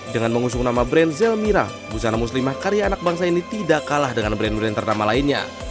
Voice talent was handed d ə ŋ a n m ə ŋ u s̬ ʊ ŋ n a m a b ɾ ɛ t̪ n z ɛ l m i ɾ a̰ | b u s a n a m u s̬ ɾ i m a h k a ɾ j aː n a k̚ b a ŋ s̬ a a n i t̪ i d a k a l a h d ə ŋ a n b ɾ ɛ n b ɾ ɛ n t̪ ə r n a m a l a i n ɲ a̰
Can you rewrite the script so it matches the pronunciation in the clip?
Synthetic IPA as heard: d ə ŋ a n m ə ŋ u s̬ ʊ ŋ n a m a b ɾ ɛ n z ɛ l m i ɾ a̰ | b u s a n a m u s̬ l i m a h k a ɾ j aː n a k̚ b a ŋ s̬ a i n i t̪ i d a k a l a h d ə ŋ a n b ɾ ɛ n b ɾ ɛ n t̪ ə r n a m a l a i n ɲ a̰